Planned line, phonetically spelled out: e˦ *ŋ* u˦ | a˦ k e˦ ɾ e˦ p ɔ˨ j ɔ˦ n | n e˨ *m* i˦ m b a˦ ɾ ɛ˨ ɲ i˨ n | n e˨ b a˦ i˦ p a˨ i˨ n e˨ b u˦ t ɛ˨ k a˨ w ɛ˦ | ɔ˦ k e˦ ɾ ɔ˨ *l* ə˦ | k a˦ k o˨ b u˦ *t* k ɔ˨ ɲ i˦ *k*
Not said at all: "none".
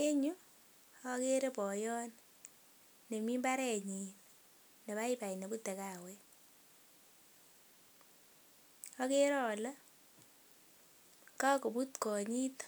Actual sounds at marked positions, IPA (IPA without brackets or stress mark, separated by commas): ɲ, m, l, t, t